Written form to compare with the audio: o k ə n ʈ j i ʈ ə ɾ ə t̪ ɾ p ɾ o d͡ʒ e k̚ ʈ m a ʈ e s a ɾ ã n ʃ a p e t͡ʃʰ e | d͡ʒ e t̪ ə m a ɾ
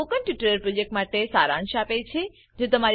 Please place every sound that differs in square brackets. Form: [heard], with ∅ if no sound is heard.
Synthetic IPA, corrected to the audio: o k ə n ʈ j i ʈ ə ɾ ə [∅] ɾ p ɾ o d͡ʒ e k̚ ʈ m a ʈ e s a ɾ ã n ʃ a p e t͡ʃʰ e | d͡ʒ e t̪ ə m a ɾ